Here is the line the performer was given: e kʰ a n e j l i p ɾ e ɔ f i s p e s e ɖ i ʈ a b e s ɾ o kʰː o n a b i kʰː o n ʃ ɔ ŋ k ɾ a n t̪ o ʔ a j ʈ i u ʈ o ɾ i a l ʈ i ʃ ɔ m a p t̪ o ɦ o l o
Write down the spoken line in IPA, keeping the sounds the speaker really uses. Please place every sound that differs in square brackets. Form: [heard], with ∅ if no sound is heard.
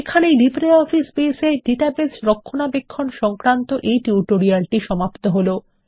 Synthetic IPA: e kʰ a n e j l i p ɾ e ɔ f i s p e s e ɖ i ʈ a b e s ɾ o kʰː o n a b [e] kʰː o n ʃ ɔ ŋ k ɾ a n t̪ o ʔ [e] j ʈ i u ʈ o ɾ i a l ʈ i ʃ ɔ m a p t̪ o ɦ o l o